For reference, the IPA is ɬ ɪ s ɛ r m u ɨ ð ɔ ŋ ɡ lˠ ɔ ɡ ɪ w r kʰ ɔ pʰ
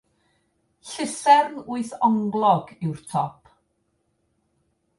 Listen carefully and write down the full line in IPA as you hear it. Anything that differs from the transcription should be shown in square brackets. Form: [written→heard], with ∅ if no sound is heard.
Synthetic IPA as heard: ɬ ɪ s ɛ r [m→n] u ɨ [ð→θ] ɔ ŋ ɡ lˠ ɔ ɡ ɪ w r [kʰ→tʰ] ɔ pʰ